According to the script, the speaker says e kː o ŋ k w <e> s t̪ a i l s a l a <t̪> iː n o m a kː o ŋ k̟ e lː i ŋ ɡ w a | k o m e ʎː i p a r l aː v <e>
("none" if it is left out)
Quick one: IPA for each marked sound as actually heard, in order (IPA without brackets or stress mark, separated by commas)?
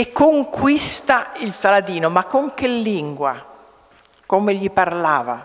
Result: i, d̪, a